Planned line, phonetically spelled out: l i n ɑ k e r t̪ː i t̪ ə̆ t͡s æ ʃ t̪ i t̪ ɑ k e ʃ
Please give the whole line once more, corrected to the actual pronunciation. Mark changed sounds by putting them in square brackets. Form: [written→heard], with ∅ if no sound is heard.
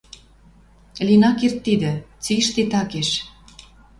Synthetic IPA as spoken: l i n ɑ k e r t̪ː i [t̪→d̪] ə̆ t͡s [æ→i] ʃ t̪ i t̪ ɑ k e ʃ